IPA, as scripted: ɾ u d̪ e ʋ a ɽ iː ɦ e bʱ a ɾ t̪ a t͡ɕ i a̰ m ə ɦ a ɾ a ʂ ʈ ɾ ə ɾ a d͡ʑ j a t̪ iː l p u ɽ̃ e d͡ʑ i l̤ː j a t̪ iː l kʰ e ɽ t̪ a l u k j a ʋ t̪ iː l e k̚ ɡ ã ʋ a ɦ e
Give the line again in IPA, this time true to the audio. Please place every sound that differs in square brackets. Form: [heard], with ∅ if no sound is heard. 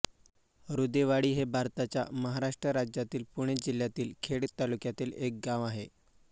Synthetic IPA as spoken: ɾ u d̪ e ʋ a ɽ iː ɦ e bʱ a ɾ t̪ a t͡ɕ [j] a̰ m ə ɦ a ɾ a ʂ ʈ ɾ ə ɾ a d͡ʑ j a t̪ iː l p u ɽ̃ e d͡ʑ i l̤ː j a t̪ iː l kʰ e ɽ t̪ a l u k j a [∅] t̪ iː l e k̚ ɡ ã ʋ a ɦ e